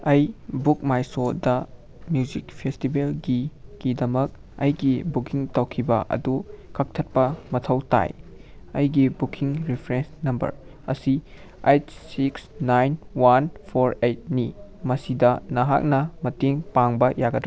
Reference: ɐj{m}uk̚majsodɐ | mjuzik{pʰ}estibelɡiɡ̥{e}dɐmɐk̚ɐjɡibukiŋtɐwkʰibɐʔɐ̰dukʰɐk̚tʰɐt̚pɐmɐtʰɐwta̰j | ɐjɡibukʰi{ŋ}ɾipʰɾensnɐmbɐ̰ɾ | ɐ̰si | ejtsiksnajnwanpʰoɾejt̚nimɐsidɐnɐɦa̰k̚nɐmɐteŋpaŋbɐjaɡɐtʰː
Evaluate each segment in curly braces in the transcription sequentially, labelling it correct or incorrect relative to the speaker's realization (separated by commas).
incorrect, correct, incorrect, correct